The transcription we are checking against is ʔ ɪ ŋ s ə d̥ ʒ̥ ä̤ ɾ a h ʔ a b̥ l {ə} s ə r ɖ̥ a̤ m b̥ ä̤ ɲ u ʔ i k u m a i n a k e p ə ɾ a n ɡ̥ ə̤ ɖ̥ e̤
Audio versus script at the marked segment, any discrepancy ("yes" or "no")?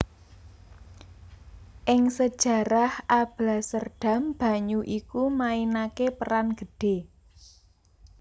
yes